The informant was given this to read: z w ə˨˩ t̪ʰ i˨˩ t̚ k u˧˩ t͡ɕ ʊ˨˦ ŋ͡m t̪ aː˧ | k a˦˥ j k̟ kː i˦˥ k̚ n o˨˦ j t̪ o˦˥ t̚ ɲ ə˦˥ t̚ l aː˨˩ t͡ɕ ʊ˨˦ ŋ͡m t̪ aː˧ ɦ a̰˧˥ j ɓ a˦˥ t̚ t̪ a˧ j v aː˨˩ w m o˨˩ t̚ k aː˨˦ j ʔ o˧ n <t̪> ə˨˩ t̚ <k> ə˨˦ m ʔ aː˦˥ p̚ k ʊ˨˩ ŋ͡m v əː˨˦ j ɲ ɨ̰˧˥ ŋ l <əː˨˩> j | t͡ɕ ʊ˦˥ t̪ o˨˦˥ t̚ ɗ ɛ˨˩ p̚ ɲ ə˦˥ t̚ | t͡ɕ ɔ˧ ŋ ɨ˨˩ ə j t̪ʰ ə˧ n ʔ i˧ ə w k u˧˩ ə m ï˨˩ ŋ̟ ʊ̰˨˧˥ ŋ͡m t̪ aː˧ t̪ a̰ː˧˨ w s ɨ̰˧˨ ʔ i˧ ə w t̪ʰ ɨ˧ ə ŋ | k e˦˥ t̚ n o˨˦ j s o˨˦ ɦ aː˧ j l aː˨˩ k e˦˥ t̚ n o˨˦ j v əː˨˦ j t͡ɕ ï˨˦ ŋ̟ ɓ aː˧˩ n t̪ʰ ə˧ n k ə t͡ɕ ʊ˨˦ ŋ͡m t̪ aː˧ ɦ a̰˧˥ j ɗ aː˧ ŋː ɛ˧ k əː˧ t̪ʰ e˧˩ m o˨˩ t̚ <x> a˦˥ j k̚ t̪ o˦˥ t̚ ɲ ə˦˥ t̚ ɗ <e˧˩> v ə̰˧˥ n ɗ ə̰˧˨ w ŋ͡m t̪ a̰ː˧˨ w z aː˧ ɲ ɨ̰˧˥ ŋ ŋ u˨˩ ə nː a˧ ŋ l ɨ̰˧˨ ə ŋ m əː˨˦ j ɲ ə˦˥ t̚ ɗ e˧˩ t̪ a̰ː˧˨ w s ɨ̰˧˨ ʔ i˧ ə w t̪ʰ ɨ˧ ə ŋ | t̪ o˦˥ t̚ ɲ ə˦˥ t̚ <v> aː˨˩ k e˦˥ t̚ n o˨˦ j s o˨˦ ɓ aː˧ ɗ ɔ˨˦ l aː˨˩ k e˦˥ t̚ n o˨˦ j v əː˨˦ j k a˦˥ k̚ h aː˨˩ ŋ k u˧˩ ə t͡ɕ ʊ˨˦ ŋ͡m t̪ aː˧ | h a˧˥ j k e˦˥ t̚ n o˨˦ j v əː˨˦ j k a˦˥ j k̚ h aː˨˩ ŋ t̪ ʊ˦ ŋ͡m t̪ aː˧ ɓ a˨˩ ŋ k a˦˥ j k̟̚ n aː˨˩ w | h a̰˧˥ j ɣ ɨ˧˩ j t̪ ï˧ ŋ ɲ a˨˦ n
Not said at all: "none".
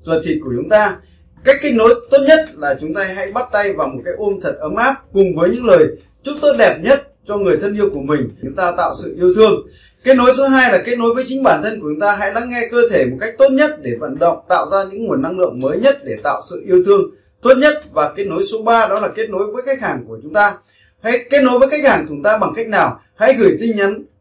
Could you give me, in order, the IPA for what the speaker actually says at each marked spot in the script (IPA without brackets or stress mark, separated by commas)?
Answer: t̪ʰ, ʔ, əː˨˩, k, e˧˩, v